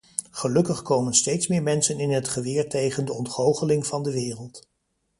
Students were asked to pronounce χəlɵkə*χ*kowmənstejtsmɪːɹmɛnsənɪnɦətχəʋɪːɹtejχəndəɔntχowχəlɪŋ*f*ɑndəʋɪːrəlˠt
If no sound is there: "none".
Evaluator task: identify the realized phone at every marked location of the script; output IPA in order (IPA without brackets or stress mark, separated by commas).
χ, v